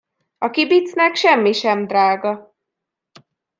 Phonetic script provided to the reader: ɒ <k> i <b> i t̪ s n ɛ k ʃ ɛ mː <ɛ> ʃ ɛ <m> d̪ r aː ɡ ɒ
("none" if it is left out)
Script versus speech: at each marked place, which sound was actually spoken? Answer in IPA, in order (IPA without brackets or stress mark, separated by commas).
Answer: k, b, i, m